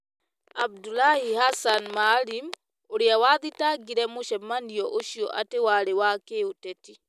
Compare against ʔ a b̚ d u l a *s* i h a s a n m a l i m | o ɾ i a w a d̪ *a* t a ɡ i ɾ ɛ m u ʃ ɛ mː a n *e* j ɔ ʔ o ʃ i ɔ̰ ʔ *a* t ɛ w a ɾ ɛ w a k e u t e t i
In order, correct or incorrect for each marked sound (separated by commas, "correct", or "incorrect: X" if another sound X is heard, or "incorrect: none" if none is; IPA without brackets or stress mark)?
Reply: incorrect: h, incorrect: i, incorrect: i, correct